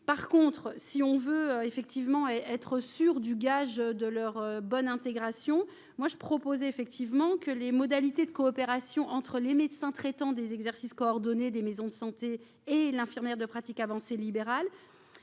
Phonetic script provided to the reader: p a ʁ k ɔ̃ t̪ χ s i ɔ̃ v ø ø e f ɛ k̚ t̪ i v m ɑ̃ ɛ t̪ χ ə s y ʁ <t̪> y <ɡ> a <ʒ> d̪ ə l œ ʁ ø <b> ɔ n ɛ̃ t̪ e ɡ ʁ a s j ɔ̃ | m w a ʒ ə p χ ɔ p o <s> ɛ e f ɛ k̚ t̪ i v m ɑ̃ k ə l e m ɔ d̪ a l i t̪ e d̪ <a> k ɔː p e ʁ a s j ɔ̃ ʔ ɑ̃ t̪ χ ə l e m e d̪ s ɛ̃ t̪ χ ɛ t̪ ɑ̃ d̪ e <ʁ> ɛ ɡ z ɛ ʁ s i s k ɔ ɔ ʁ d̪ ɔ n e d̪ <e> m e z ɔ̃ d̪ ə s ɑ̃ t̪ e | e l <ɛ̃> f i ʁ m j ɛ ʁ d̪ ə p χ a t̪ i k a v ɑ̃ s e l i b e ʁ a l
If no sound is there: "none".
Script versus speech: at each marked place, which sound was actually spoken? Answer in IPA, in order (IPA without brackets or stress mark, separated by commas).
d̪, ɡ, ʒ, b, z, ə, z, e, ɛ̃